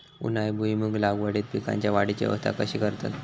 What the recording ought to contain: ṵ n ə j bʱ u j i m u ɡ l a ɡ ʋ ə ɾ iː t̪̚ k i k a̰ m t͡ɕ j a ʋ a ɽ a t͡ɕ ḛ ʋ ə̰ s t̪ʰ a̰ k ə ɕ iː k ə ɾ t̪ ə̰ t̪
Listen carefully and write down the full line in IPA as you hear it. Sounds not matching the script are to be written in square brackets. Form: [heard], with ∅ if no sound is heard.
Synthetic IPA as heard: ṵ n [a] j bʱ u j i m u ɡ l a ɡ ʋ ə [ɽ] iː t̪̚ [p] i k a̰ [ɲ] t͡ɕ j a ʋ a ɽ [i] t͡ɕ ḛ ʋ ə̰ s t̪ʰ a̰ k ə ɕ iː k ə ɾ t̪ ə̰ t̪